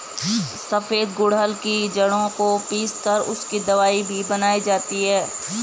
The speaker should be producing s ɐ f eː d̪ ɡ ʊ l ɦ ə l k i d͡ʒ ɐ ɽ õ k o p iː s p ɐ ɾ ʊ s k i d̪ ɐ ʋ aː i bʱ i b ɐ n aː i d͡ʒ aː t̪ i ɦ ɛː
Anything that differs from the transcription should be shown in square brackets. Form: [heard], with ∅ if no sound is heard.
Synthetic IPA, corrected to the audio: s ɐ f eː d̪ ɡ ʊ [ɽ] ɦ ə l k i d͡ʒ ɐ ɽ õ k o p iː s [k] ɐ ɾ ʊ s k i d̪ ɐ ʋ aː i bʱ i b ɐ n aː i d͡ʒ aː t̪ i ɦ ɛː